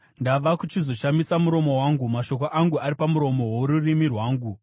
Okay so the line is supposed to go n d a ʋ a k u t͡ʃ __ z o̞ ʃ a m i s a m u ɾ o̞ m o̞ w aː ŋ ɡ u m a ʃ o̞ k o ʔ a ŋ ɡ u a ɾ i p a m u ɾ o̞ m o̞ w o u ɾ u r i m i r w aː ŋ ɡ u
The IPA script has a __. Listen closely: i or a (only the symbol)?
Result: i